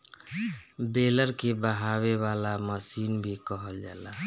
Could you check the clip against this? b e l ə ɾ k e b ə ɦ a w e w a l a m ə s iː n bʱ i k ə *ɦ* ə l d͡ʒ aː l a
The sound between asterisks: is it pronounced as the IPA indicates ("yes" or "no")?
yes